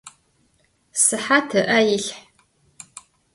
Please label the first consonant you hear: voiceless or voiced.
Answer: voiceless